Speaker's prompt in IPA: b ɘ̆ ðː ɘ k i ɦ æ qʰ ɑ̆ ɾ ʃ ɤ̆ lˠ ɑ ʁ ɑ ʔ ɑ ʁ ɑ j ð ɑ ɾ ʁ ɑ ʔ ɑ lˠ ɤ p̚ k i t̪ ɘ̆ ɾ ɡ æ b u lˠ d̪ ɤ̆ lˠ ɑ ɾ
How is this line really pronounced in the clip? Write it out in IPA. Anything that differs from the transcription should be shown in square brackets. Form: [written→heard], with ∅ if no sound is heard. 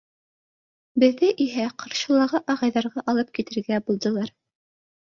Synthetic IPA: b ɘ̆ ðː ɘ [k→ʔ] i ɦ æ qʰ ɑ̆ ɾ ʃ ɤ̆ lˠ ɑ ʁ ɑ ʔ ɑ ʁ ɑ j ð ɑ ɾ ʁ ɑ ʔ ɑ lˠ ɤ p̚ k i t̪ ɘ̆ ɾ ɡ æ b u lˠ d̪ ɤ̆ lˠ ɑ ɾ